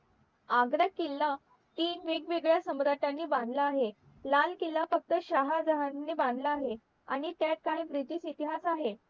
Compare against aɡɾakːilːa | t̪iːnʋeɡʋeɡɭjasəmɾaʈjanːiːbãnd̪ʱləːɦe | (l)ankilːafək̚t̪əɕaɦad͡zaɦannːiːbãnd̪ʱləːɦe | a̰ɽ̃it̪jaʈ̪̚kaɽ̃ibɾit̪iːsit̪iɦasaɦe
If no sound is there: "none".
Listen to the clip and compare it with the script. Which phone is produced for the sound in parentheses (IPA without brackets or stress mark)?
l